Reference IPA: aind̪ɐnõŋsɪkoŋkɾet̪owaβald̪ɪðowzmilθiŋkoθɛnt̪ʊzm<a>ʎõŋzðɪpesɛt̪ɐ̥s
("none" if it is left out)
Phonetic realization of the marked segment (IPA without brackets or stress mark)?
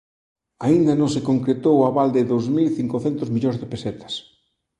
i